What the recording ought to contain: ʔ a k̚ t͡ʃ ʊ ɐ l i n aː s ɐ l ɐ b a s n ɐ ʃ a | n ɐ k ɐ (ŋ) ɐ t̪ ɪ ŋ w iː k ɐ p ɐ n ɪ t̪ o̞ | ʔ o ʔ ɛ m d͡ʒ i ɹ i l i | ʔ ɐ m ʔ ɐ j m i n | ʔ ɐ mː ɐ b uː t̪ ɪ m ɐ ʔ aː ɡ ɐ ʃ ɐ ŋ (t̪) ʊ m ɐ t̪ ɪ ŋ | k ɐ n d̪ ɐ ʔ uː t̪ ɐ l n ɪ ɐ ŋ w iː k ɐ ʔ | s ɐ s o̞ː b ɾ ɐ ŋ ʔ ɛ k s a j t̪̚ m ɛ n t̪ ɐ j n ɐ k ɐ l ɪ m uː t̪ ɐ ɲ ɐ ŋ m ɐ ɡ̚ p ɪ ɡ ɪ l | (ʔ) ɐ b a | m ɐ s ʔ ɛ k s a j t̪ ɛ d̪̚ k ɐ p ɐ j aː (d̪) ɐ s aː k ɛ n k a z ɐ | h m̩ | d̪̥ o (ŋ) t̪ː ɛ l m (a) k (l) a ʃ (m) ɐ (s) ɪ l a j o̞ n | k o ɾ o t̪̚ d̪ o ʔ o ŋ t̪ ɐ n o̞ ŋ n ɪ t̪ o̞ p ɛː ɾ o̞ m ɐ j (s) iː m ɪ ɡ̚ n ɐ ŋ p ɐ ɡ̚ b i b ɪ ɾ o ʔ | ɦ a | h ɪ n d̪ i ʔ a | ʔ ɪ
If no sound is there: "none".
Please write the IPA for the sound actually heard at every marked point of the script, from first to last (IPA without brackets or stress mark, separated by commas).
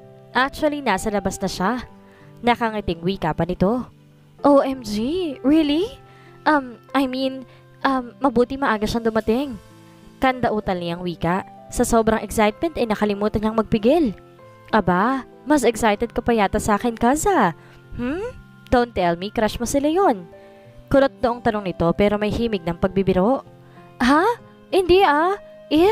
ŋ, d̪, ʔ, t̪, n, i, ɾ, m, s, h